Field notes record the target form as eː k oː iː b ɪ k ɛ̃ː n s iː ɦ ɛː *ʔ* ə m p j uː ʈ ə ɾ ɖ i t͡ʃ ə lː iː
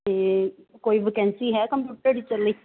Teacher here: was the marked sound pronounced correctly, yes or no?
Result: no